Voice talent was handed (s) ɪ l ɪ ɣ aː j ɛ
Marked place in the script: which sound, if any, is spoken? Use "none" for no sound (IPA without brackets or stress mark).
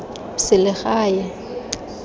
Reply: s